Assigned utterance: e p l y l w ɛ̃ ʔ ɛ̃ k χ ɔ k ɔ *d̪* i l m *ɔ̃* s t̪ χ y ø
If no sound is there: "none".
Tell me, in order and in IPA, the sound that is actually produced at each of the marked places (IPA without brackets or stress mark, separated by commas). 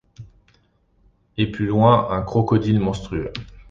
d̪, ɔ̃